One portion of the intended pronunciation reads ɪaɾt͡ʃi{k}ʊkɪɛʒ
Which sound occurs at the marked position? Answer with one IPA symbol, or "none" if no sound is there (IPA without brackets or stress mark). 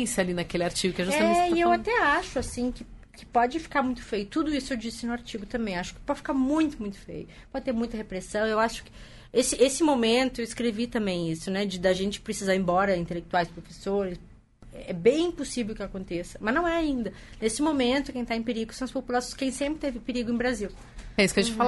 ɡ